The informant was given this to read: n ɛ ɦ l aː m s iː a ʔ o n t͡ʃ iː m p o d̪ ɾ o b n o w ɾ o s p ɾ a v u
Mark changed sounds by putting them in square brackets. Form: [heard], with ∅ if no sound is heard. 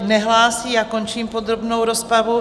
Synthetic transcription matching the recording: n ɛ ɦ l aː [∅] s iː a [k] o n t͡ʃ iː m p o d̪ ɾ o b n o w ɾ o s p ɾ a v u

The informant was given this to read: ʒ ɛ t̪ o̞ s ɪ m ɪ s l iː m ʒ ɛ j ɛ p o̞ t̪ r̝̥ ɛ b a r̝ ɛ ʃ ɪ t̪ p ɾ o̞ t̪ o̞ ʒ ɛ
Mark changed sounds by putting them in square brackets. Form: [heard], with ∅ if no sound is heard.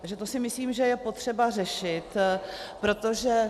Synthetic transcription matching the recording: ʒ ɛ t̪ o̞ s ɪ m ɪ s l iː m ʒ ɛ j ɛ p o̞ t̪ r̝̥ ɛ b a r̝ ɛ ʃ ɪ t̪ p ɾ o̞ t̪ o̞ ʒ ɛ

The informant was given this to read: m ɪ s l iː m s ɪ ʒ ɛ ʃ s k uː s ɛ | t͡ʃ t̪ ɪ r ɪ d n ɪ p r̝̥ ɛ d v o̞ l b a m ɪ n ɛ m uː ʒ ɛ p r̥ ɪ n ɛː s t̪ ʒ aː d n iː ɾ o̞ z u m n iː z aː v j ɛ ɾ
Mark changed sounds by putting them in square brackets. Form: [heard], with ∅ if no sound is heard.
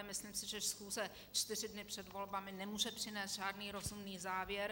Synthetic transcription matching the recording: m ɪ s l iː m s ɪ ʒ ɛ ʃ s [x] uː [z] ɛ | t͡ʃ t̪ ɪ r ɪ d n ɪ p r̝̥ ɛ d v o̞ l b a m ɪ n ɛ m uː ʒ ɛ p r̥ ɪ n ɛː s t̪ ʒ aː d n iː ɾ o̞ z u m n iː z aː v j ɛ ɾ

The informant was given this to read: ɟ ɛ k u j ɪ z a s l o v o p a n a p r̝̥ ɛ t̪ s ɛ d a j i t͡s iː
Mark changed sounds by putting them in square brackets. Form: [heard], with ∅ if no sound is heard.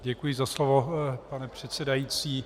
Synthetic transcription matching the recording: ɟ ɛ k u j ɪ z a s l o v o p a n [ɛ] p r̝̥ ɛ t̪ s ɛ d a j i t͡s iː

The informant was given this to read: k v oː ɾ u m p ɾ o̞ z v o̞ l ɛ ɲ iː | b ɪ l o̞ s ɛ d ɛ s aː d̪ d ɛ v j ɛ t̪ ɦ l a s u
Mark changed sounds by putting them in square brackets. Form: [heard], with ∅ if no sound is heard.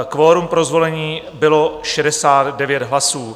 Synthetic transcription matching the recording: k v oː ɾ u m p ɾ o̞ z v o̞ l ɛ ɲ iː | b ɪ l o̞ [ʃ] ɛ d ɛ s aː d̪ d ɛ v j ɛ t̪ ɦ l a s [uː]

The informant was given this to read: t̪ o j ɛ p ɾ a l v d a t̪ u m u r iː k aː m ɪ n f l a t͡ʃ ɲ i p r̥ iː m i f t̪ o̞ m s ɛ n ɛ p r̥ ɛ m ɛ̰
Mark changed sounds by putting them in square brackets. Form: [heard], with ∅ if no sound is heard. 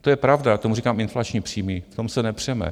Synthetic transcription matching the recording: t̪ o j ɛ p ɾ a [∅] v d a t̪ [o] m u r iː k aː m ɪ n f l a t͡ʃ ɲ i p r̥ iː m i f t̪ o̞ m s ɛ n ɛ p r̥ ɛ m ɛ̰

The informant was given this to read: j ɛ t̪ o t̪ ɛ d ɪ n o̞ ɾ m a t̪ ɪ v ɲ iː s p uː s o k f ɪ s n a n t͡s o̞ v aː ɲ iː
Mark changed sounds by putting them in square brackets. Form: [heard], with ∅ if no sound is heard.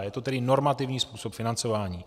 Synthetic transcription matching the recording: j ɛ t̪ o t̪ ɛ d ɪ n o̞ ɾ m a t̪ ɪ v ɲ iː s p uː s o [p] f ɪ [∅] n a n t͡s o̞ v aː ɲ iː

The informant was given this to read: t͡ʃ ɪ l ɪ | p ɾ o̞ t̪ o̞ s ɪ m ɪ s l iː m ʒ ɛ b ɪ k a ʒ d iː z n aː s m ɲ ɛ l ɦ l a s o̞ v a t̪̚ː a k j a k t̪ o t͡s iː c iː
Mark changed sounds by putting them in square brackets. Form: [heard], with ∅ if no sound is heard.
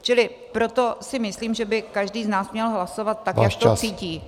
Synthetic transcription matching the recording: t͡ʃ ɪ l ɪ | p ɾ o̞ t̪ o̞ s ɪ m ɪ s l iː m ʒ ɛ b ɪ k a ʒ d iː z n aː s m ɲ ɛ l ɦ l a s o̞ v a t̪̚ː a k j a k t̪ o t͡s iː c iː

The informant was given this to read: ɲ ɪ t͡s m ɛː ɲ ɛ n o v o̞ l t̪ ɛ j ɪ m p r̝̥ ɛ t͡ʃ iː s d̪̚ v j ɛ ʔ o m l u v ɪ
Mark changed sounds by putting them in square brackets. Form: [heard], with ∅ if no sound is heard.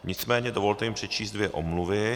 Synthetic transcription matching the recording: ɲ ɪ t͡s m ɛː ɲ ɛ [d] o v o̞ l t̪ ɛ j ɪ m p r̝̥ ɛ t͡ʃ iː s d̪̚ v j ɛ ʔ o m l u v ɪ

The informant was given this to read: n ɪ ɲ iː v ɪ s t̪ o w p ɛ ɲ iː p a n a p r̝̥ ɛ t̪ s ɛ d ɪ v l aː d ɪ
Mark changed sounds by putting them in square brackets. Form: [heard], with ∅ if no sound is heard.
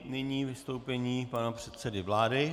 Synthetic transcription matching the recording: n ɪ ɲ iː v ɪ s t̪ o w p ɛ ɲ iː p a n a p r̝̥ ɛ t̪ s ɛ d ɪ v l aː d ɪ

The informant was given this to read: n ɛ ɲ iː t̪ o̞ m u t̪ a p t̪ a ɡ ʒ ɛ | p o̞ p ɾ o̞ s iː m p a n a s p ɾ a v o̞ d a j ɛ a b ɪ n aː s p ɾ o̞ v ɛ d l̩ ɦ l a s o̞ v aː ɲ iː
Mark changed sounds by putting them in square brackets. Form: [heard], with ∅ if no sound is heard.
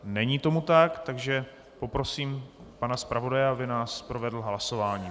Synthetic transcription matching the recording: n ɛ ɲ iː t̪ o̞ m u t̪ a [k] t̪ a ɡ ʒ ɛ | p o̞ p ɾ o̞ s iː m p a n a s p ɾ a v o̞ d a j ɛ a b ɪ n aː s p ɾ o̞ v ɛ d l̩ ɦ l a s o̞ v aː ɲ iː

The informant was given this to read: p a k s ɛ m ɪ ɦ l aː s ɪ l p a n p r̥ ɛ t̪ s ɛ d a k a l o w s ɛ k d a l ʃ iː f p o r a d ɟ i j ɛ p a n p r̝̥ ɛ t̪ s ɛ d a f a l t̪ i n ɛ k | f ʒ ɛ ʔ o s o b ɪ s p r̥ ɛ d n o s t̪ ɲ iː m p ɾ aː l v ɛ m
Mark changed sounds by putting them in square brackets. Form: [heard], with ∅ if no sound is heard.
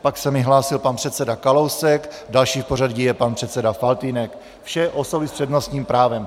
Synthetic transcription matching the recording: p a k s ɛ m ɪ ɦ l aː s ɪ l p a n p r̥ ɛ t̪ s ɛ d a k a l o w s ɛ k d a l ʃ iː f p o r a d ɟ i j ɛ p a n p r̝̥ ɛ t̪ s ɛ d a f a l t̪ i n ɛ k | f [ʃ] ɛ ʔ o s o b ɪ s p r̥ ɛ d n o s t̪ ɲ iː m p ɾ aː [∅] v ɛ m

